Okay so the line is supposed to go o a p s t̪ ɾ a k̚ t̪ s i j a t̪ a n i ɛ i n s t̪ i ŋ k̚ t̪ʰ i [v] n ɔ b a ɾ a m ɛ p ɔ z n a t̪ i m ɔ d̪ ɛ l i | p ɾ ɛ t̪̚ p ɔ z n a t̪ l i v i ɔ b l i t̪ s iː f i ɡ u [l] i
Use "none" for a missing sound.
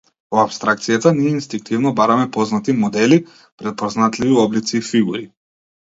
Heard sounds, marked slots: v, ɾ

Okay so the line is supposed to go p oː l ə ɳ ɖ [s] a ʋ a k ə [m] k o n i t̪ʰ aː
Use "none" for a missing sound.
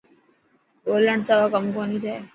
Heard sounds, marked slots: s, m

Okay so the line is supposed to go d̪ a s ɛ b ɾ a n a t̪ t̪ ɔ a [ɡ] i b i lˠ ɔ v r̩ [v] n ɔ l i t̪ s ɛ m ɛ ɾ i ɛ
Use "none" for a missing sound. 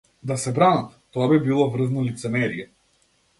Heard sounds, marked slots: b, z

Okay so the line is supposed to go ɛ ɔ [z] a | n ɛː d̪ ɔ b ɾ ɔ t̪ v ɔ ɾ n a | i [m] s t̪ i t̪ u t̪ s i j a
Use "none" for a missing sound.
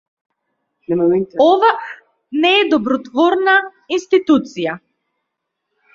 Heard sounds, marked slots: v, n

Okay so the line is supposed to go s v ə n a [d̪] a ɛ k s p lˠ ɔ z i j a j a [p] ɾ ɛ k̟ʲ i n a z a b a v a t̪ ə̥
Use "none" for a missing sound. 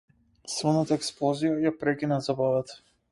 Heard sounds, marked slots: t̪, p

